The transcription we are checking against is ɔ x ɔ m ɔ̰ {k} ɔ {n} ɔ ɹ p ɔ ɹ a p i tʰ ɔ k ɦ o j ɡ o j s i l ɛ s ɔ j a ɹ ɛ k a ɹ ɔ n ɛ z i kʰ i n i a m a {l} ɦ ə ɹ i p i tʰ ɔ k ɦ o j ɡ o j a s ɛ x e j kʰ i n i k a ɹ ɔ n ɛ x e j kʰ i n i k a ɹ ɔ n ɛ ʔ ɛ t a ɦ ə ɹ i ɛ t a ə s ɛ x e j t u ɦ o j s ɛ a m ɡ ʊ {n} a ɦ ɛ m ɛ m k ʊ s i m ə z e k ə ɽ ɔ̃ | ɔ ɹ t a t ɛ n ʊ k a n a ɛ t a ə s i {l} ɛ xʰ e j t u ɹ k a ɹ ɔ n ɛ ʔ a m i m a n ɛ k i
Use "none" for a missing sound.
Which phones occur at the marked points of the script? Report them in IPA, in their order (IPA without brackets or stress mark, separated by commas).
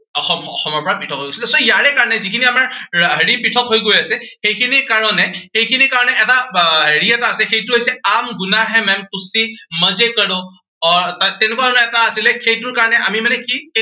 x, m, ɹ, n, l